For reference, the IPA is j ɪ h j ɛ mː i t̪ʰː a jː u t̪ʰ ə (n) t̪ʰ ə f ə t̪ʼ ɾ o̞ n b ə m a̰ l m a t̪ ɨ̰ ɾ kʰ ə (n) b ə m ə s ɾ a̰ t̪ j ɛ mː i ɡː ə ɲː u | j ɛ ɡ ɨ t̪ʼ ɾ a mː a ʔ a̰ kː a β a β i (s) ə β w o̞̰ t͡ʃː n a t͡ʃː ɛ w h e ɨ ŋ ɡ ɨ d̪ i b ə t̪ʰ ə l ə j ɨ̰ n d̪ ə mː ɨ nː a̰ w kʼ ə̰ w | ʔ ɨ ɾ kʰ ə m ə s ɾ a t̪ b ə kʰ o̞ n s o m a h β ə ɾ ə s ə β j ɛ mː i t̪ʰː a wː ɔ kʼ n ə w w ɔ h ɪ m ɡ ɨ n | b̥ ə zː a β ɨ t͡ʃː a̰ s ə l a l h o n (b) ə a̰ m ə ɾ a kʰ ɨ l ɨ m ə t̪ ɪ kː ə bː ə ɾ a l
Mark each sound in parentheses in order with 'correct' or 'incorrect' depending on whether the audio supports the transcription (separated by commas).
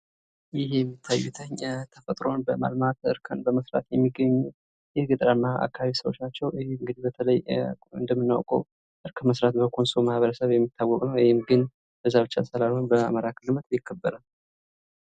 incorrect, correct, correct, correct